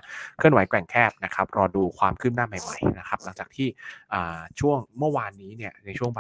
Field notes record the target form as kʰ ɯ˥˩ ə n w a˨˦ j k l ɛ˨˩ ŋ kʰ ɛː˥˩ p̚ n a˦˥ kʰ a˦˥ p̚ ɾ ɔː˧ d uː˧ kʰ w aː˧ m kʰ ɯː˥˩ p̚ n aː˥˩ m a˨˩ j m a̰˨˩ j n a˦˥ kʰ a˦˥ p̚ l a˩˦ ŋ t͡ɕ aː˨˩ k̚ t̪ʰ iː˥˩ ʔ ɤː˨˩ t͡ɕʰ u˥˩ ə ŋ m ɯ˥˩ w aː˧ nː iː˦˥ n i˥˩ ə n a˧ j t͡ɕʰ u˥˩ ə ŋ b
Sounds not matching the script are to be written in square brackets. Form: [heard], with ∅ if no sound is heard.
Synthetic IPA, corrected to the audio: kʰ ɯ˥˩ ə n w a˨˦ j k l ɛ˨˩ ŋ kʰ ɛː˥˩ p̚ n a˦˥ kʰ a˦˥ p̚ ɾ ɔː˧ d uː˧ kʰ w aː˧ m kʰ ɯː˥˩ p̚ n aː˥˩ m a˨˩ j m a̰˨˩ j n a˦˥ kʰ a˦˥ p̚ l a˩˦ ŋ t͡ɕ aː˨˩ k̚ t̪ʰ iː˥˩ ʔ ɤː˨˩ t͡ɕʰ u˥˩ ə ŋ m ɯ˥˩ w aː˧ nː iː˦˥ n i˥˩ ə n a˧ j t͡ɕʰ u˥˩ ə ŋ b